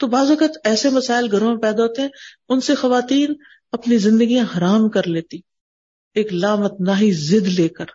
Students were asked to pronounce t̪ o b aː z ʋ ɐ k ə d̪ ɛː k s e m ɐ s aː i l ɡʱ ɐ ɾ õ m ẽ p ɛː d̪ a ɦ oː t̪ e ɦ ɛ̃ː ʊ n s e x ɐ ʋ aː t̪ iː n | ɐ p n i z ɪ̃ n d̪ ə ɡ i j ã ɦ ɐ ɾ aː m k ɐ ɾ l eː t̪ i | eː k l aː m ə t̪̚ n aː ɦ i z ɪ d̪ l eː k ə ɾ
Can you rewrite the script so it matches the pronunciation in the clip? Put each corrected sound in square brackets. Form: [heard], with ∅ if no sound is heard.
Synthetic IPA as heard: t̪ o b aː z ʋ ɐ k ə [t̪] ɛː [∅] s e m ɐ s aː [ɪ] l ɡʱ ɐ ɾ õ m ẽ p ɛː d̪ a ɦ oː t̪ e ɦ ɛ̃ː ʊ n s e x ɐ ʋ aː t̪ iː n | ɐ p n i z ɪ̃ n d̪ ə ɡ i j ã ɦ ɐ ɾ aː m k ɐ ɾ l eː t̪ i | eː k l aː m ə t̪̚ n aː ɦ i z ɪ d̪ l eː k ə ɾ